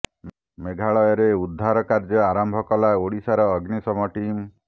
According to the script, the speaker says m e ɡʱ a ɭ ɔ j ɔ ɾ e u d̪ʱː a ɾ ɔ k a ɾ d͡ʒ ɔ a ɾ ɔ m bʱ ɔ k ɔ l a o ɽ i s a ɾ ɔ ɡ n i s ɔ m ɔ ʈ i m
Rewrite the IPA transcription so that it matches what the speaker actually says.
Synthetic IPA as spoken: m e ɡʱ a ɭ ɔ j ɔ ɾ e u d̪ʱː a ɾ ɔ k a ɾ d͡ʒ ɔ a ɾ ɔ m bʱ ɔ k ɔ l a o ɽ i s a ɾ ɔː ɡ n i s ɔ m ɔ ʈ i m